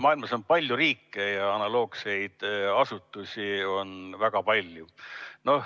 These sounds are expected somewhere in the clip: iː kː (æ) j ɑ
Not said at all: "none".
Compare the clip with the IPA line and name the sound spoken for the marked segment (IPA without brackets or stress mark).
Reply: e